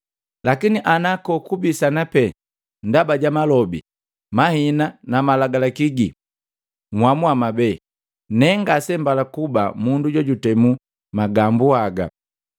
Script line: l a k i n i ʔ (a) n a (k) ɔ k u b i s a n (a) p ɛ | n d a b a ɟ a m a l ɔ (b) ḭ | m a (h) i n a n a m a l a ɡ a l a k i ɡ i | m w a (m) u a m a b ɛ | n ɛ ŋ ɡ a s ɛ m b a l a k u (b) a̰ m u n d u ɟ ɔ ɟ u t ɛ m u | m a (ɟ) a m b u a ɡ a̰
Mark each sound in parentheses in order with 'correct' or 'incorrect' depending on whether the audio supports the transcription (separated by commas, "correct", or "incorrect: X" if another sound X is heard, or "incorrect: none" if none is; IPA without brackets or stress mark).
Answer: correct, correct, correct, correct, correct, correct, correct, incorrect: ɡ